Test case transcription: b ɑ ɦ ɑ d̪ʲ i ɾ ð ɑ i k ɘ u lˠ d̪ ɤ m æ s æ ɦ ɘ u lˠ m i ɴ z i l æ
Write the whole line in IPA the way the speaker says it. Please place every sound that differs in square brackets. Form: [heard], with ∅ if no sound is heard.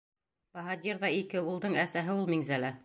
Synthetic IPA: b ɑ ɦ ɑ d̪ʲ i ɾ ð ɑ i k ɘ u lˠ d̪ ɤ [ɴ] æ s æ ɦ ɘ u lˠ m i [ŋ] z [æ] l æ